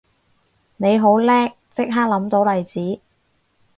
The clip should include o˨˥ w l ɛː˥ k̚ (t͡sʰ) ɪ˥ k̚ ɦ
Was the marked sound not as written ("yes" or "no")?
yes